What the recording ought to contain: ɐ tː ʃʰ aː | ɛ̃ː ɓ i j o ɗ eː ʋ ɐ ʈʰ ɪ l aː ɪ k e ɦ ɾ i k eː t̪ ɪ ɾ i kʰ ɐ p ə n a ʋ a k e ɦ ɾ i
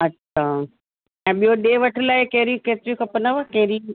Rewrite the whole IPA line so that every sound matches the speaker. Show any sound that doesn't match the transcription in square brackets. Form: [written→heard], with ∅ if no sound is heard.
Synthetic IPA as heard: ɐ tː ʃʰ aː | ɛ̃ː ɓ i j o ɗ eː ʋ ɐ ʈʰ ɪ l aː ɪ k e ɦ ɾ i k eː t̪ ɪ ɾ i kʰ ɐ p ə n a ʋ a k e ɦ ɾ i